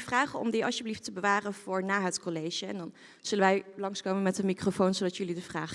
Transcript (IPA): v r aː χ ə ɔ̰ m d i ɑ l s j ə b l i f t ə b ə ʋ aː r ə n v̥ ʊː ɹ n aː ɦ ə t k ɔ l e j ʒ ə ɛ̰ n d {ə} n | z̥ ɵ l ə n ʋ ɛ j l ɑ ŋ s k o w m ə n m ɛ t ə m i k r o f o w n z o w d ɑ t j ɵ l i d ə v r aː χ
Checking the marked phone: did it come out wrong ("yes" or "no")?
yes